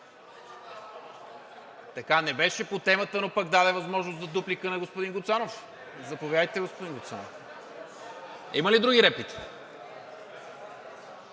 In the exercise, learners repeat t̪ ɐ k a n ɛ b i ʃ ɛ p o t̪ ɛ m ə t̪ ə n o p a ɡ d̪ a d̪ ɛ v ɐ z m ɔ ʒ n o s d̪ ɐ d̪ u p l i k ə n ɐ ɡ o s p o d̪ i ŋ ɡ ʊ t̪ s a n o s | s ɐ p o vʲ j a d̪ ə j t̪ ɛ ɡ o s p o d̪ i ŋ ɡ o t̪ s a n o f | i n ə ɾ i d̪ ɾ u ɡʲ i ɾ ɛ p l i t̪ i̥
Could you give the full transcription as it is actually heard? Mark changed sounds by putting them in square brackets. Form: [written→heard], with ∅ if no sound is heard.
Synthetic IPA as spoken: t̪ ɐ k a n ɛ b [i→ɛ] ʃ ɛ p o t̪ ɛ m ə t̪ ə n o p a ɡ d̪ a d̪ ɛ v ɐ z m ɔ ʒ n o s d̪ ɐ d̪ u p l i k ə n ɐ ɡ o s p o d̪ i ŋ ɡ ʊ t̪ s a n o [s→f] | [s→z] ɐ p o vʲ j a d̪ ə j t̪ ɛ ɡ o s p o d̪ i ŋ ɡ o t̪ s a n o f | i [n→m] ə [ɾ→l] i d̪ ɾ u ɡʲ i ɾ ɛ p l i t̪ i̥

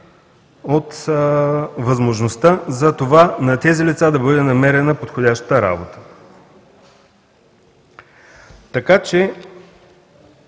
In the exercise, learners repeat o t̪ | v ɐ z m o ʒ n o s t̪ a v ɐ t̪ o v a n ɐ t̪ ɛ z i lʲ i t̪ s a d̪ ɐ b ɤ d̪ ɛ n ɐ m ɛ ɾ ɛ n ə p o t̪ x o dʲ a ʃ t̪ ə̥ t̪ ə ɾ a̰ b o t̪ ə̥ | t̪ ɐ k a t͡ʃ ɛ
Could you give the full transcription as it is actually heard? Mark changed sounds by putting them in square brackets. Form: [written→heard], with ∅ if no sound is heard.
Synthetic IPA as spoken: o t̪ | v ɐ z m o ʒ n o s t̪ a [v→z] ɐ t̪ o v a n ɐ t̪ ɛ z i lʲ i t̪ s a d̪ ɐ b ɤ d̪ ɛ n ɐ m ɛ ɾ ɛ n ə p o t̪ x o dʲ a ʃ t̪ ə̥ t̪ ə ɾ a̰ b o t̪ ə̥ | t̪ ɐ k a t͡ʃ ɛ

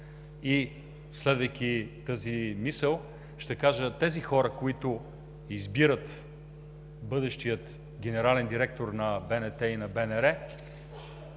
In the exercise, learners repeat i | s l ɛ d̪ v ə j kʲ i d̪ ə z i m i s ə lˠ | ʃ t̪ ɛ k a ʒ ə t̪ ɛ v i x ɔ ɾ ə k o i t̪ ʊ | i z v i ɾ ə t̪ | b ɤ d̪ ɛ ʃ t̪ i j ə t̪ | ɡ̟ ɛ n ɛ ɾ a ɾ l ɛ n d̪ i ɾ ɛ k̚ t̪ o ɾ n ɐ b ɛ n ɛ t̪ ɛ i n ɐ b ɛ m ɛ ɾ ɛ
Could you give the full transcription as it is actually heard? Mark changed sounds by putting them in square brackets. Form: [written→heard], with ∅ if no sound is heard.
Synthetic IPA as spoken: i | s l ɛ d̪ v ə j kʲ i [d̪→t̪] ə z i m i s ə lˠ | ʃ t̪ ɛ k a ʒ ə t̪ ɛ [v→z] i x ɔ ɾ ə k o i t̪ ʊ | i z [v→b] i ɾ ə t̪ | b ɤ d̪ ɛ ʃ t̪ i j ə t̪ | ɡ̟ ɛ n ɛ ɾ a [ɾ→∅] l ɛ n d̪ i ɾ ɛ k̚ t̪ o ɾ n ɐ b ɛ n ɛ t̪ ɛ i n ɐ b ɛ [m→n] ɛ ɾ ɛ

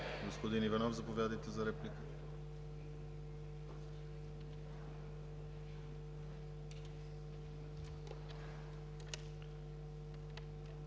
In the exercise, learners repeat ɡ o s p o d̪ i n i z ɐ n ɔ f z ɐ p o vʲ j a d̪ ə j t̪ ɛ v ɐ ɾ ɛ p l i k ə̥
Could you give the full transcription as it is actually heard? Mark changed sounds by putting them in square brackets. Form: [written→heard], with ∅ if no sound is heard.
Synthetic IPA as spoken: ɡ o s p o d̪ i n i [z→v] ɐ n ɔ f z ɐ p o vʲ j a d̪ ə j t̪ ɛ [v→z] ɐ ɾ ɛ p l i k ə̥

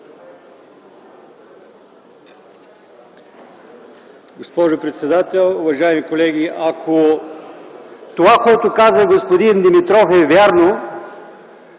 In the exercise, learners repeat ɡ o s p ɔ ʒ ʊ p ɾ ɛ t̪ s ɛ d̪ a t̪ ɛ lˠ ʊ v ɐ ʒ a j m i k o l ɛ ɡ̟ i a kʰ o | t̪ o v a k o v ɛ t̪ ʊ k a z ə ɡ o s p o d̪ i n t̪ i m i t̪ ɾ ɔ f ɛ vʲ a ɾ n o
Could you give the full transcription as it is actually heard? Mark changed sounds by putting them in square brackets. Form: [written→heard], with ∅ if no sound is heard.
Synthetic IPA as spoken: ɡ o s p ɔ ʒ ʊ p ɾ ɛ t̪ s ɛ d̪ a t̪ ɛ lˠ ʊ v ɐ ʒ a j m i k o l ɛ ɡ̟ i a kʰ o | t̪ o v a k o [v→∅] ɛ t̪ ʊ k a z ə ɡ o s p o d̪ i n [t̪→d̪] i m i t̪ ɾ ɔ f ɛ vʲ a ɾ n o

